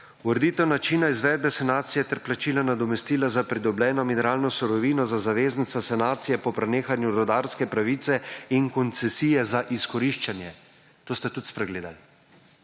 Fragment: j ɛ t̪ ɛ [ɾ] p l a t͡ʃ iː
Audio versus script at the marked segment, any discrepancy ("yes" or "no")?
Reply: no